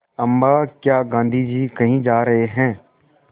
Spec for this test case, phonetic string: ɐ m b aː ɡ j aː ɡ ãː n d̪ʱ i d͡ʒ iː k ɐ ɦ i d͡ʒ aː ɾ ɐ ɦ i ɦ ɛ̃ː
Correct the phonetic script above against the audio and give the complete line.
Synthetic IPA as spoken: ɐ m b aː k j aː ɡ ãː n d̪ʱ i d͡ʒ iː k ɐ ɦ ĩ d͡ʒ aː ɾ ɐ ɦ e ɦ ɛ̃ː